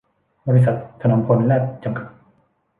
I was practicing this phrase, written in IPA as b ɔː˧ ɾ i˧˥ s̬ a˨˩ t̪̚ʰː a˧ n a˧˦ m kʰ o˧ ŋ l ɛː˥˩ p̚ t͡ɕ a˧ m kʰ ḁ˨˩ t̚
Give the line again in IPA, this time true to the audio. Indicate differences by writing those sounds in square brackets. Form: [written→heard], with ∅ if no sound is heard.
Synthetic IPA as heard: b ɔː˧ ɾ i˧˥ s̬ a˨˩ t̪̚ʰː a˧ n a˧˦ m [kʰ→pʰ] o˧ [ŋ→n] l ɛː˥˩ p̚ t͡ɕ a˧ m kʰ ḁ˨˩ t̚